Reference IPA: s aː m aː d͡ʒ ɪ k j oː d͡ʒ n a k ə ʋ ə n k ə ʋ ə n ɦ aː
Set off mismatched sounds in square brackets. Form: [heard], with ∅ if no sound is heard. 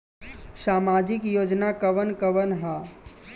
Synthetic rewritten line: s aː m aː d͡ʒ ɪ k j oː d͡ʒ n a k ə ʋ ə n k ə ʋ ə n ɦ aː